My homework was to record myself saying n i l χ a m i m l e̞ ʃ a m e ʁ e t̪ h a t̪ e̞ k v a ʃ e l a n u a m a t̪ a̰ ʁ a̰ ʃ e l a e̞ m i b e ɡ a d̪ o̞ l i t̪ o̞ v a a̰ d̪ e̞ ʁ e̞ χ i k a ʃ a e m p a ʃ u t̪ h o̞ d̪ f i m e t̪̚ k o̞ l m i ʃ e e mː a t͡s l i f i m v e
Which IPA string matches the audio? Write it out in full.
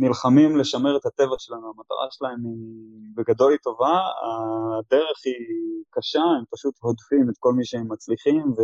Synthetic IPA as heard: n i l χ a m i m l e̞ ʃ a m e ʁ e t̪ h a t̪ e̞ v a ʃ e l a n u a m a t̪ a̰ ʁ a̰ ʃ e l a e̞ m i b e ɡ a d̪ o̞ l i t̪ o̞ v a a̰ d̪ e̞ ʁ e̞ χ i k a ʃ a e m p a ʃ u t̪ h o̞ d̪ f i m e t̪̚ k o̞ l m i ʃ e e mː a t͡s l i χ i m v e